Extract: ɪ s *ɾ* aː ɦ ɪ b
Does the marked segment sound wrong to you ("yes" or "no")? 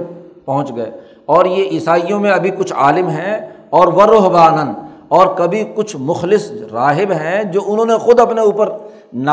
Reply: no